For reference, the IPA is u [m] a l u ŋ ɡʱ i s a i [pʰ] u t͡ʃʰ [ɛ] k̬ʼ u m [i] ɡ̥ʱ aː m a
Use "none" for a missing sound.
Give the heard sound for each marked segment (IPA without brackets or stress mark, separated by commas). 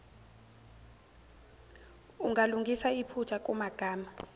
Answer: ŋ, pʰ, a, a